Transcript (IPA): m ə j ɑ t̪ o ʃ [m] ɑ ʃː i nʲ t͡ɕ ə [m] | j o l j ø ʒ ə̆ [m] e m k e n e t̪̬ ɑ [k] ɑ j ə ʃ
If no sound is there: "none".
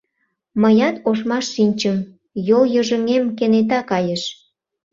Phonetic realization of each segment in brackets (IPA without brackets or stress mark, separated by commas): m, m, ŋ, k